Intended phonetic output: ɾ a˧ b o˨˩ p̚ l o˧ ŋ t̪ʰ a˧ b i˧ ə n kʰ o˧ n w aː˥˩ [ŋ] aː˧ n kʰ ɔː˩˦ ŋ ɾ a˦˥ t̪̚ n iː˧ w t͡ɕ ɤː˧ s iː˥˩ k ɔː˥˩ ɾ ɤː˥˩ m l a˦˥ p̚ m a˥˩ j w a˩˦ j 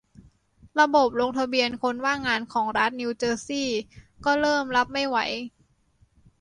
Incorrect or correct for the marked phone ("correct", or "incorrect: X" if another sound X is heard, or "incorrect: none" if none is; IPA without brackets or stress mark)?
correct